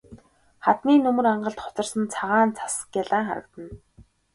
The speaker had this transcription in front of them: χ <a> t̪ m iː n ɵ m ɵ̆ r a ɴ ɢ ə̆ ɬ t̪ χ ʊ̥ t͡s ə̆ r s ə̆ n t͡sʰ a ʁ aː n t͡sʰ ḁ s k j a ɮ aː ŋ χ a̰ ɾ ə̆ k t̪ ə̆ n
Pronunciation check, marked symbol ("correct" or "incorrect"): correct